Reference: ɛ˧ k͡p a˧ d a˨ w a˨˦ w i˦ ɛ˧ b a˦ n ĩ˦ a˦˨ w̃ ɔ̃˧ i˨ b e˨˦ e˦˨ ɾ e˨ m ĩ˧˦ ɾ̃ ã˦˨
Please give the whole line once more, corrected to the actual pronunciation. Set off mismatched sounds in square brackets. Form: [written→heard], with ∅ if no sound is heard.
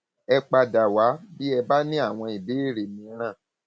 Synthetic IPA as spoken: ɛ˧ k͡p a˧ d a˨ w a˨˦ [w→b] i˦ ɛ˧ b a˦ n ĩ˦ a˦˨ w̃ ɔ̃˧ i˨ b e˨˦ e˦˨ ɾ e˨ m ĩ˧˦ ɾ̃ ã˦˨